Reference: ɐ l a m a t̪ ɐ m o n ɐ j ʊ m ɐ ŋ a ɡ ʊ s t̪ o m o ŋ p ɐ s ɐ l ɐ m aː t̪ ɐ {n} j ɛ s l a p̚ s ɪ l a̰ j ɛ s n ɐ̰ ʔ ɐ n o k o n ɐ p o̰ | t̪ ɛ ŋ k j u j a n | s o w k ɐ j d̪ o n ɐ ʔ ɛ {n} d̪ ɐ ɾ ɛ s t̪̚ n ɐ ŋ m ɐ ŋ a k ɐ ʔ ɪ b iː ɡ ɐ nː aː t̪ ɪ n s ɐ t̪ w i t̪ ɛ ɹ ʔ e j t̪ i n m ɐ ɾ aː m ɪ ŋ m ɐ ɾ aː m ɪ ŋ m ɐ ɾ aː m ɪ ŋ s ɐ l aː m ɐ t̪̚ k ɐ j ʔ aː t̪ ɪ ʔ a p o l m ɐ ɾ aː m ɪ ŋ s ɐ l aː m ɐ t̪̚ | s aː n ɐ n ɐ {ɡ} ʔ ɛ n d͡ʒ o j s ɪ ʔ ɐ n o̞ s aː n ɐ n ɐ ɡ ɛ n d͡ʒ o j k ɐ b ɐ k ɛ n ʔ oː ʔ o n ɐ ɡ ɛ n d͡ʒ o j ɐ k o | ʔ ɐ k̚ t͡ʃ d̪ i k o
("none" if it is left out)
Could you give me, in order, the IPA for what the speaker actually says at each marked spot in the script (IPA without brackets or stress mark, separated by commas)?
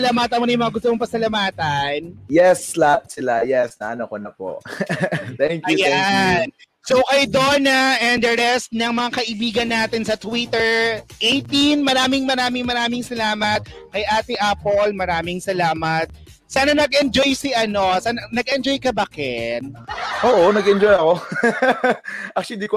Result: n, n, ɡ